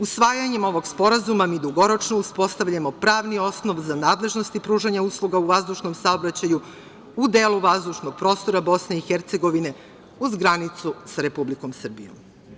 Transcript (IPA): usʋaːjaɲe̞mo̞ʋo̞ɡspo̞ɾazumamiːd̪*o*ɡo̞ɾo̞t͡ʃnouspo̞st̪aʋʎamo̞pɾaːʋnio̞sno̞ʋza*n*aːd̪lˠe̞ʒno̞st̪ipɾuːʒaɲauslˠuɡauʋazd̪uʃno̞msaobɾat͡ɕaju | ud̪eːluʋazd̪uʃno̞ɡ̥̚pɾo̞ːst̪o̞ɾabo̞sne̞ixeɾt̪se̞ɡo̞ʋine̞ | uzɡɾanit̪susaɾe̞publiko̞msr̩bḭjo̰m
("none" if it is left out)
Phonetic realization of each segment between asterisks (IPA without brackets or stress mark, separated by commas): u, n